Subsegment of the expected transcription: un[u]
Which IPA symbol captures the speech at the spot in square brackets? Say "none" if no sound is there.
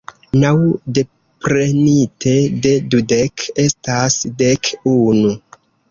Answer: u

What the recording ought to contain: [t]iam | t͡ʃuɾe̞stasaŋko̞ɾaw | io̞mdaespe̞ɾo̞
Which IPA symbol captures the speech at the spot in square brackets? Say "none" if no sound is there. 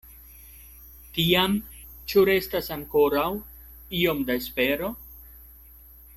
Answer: t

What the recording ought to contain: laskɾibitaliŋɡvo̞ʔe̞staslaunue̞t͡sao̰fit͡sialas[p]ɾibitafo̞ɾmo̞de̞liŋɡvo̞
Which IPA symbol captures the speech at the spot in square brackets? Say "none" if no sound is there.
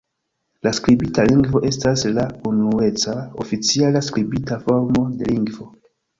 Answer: k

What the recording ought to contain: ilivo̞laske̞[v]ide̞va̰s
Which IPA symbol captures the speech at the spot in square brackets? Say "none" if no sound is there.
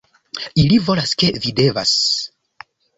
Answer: v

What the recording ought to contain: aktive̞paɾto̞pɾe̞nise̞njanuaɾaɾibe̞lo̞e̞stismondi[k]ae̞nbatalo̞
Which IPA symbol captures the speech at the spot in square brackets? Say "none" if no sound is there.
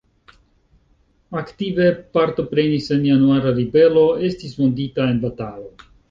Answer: t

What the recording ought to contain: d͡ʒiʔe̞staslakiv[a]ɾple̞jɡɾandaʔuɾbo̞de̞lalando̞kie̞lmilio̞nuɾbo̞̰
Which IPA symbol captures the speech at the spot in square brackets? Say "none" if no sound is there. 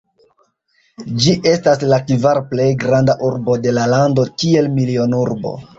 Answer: a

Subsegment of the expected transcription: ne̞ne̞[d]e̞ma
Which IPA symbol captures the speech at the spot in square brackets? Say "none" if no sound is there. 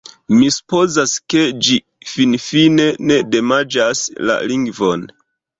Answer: d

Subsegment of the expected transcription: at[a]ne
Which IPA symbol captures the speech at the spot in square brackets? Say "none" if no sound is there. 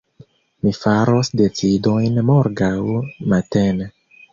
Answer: e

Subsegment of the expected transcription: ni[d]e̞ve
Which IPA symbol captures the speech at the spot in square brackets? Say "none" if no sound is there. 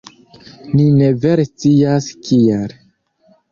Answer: n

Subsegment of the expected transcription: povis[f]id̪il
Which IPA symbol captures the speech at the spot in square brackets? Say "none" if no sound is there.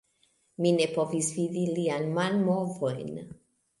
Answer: v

